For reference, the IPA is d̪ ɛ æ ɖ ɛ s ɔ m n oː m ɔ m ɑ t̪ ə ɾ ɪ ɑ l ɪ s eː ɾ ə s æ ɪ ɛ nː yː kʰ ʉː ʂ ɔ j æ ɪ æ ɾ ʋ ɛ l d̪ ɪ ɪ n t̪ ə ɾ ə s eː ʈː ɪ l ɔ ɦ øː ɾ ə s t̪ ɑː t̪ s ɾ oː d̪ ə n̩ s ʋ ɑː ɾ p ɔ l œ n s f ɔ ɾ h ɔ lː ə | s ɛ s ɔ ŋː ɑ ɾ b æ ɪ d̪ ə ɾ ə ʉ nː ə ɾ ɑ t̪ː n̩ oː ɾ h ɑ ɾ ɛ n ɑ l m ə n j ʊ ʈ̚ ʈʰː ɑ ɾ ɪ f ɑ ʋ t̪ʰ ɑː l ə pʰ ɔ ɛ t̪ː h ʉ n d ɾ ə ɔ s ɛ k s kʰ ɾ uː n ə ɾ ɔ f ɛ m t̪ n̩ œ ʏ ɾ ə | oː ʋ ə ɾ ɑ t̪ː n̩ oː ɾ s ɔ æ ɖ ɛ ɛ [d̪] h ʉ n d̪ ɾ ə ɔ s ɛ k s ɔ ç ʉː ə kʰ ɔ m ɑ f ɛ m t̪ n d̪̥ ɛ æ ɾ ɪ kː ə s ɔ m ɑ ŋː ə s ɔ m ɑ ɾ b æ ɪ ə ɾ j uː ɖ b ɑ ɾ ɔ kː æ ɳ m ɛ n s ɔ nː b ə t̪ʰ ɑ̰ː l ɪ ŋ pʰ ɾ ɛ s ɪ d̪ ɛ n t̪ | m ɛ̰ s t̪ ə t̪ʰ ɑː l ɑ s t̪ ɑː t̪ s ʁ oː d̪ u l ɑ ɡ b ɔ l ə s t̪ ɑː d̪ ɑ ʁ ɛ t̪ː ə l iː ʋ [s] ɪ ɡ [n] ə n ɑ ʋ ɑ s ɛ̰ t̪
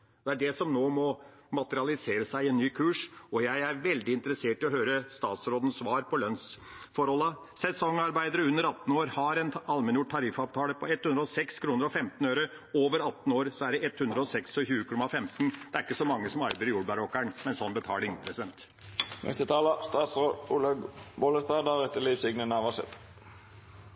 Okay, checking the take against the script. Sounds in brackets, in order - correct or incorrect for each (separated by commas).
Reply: incorrect, correct, correct